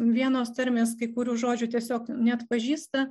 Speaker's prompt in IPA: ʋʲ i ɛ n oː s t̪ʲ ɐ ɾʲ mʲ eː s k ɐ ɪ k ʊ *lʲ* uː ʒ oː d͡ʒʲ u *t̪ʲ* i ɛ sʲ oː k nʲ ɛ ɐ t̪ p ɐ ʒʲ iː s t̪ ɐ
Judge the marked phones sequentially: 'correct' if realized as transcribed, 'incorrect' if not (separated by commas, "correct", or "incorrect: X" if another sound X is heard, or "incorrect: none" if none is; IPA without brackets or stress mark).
incorrect: ɾʲ, correct